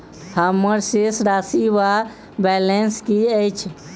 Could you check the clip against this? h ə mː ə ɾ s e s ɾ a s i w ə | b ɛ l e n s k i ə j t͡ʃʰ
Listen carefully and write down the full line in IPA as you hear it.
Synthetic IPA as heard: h ə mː ə ɾ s e s ɾ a s i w a | b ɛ l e n s k i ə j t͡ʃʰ